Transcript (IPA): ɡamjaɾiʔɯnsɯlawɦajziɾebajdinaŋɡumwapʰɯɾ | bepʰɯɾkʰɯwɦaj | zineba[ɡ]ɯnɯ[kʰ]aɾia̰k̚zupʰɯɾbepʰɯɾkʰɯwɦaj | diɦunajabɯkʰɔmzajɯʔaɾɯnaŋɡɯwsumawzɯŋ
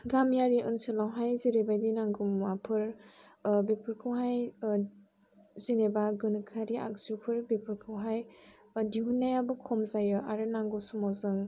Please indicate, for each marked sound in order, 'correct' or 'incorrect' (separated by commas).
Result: correct, correct